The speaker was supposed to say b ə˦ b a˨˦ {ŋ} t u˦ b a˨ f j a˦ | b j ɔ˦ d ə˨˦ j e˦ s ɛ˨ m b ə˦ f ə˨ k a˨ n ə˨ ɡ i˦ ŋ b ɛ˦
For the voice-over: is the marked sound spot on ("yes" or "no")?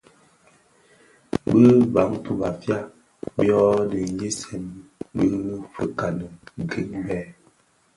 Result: yes